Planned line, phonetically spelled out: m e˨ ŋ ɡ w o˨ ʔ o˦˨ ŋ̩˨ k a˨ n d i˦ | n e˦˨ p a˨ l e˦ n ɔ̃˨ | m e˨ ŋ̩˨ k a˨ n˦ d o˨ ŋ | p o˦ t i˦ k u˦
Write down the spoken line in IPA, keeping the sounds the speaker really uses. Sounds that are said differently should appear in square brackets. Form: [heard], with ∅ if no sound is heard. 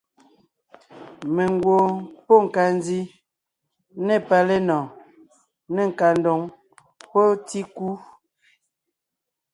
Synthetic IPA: m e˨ ŋ ɡ w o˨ [p] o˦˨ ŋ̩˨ k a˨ n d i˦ | n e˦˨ p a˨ l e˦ n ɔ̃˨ | [n] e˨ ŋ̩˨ k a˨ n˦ d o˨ ŋ | p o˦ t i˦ k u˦